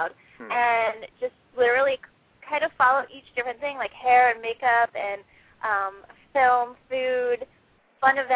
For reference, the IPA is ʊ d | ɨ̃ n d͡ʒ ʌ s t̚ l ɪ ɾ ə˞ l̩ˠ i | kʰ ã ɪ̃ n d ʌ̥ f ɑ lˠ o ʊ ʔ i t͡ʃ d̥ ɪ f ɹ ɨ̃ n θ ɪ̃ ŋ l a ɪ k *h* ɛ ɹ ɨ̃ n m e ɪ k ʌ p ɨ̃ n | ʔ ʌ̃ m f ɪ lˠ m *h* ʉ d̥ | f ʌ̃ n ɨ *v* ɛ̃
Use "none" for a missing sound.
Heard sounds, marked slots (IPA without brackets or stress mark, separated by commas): h, f, v